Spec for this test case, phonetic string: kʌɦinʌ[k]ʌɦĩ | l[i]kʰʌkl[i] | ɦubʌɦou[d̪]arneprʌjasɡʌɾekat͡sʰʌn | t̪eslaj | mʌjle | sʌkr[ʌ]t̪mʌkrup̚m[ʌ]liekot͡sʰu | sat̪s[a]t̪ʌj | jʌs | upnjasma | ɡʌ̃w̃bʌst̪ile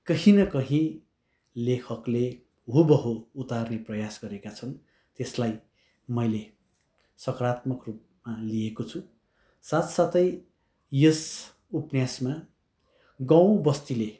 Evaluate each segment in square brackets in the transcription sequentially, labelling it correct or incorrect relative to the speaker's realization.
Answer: correct, incorrect: e, incorrect: e, incorrect: t̪, incorrect: a, incorrect: a, correct

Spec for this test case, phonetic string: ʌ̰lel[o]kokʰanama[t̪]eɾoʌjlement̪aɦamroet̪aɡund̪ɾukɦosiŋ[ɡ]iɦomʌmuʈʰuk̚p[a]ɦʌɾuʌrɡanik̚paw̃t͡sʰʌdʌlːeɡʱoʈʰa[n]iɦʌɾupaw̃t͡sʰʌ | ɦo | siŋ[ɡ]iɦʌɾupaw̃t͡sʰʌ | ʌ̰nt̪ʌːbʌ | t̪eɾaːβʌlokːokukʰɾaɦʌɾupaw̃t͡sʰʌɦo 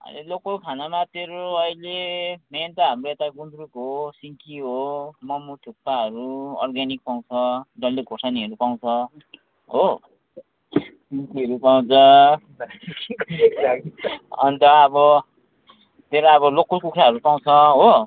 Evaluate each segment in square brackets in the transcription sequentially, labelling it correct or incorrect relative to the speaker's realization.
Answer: correct, correct, incorrect: k, correct, correct, incorrect: k

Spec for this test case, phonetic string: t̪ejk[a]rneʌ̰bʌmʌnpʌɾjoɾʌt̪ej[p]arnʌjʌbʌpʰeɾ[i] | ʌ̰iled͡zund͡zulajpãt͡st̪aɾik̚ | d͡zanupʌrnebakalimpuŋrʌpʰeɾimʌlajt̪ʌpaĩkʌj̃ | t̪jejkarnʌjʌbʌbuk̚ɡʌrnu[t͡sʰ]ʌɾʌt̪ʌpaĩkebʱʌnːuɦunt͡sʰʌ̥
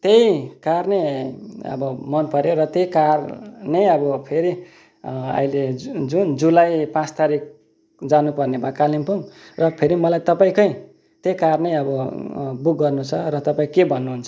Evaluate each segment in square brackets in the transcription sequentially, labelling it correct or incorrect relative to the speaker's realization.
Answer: correct, incorrect: k, correct, correct

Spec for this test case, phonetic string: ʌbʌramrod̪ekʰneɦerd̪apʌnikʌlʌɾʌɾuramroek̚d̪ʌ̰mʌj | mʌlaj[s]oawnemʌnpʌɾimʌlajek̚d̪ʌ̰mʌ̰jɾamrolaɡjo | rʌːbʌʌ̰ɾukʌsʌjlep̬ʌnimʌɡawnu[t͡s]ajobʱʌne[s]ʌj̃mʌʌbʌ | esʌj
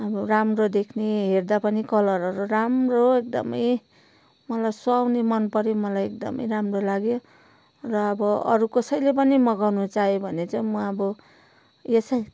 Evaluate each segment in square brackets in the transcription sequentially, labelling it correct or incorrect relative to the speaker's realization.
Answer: correct, correct, incorrect: t͡s

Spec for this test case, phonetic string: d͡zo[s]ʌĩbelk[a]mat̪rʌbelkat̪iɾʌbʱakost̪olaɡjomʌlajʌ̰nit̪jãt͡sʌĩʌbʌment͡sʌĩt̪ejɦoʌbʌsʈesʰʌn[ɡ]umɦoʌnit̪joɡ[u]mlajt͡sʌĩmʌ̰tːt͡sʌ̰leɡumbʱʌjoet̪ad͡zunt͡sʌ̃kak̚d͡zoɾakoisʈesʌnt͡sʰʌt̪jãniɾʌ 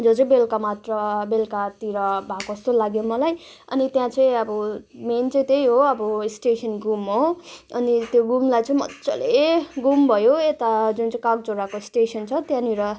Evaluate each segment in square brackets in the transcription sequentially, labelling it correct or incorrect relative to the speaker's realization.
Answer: incorrect: t͡s, correct, correct, correct

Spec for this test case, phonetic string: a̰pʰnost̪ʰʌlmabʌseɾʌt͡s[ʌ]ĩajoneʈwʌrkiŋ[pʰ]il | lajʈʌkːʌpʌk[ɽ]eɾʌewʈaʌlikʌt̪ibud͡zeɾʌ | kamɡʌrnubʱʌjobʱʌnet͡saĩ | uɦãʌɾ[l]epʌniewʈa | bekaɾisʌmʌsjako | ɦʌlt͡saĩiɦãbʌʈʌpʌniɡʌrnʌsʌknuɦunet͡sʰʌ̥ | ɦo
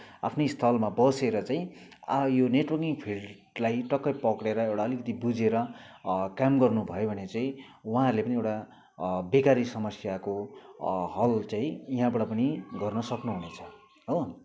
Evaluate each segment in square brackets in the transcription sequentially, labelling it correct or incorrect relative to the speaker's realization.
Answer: incorrect: a, correct, correct, correct

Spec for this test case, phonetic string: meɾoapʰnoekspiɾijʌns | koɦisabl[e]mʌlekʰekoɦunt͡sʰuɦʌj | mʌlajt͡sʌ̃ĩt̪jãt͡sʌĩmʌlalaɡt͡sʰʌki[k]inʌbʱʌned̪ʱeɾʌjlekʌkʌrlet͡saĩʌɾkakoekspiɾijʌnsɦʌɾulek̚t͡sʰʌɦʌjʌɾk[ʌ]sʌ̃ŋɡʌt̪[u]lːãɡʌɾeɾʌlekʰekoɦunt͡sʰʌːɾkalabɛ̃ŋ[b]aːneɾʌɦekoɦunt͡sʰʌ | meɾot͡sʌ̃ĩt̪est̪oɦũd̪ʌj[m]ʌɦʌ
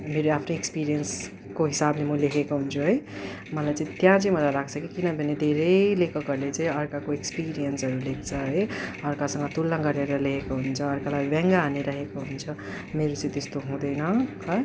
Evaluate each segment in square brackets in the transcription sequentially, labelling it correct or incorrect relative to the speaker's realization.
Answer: correct, correct, incorrect: a, correct, incorrect: ɡ, incorrect: n

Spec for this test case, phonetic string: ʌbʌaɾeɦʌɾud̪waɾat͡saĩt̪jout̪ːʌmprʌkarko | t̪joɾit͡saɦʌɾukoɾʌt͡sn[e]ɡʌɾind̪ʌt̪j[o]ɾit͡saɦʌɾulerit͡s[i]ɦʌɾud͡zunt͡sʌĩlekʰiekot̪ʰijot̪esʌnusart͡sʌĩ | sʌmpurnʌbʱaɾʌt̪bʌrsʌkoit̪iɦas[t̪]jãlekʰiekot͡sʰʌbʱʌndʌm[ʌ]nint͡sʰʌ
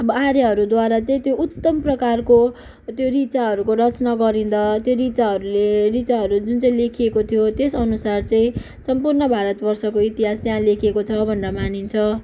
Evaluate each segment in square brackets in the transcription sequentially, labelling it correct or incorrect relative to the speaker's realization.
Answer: incorrect: a, correct, incorrect: a, correct, incorrect: a

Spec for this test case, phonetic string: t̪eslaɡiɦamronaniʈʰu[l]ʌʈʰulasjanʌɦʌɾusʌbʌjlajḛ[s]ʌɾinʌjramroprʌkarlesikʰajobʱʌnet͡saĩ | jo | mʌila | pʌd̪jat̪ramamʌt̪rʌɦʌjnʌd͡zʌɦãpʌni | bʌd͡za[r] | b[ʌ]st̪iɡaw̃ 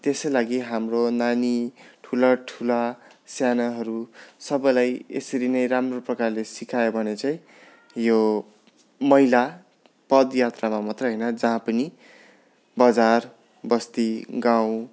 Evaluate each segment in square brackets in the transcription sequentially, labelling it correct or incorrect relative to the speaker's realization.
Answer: correct, correct, correct, correct

